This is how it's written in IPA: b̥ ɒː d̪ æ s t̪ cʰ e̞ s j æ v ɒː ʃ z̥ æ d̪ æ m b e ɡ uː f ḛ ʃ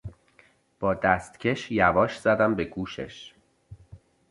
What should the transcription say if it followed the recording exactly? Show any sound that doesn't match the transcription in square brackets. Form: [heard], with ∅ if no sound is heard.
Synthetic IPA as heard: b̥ ɒː d̪ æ s t̪ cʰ e̞ [ʃ] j æ v ɒː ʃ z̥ æ d̪ æ m b e ɡ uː [ʃ] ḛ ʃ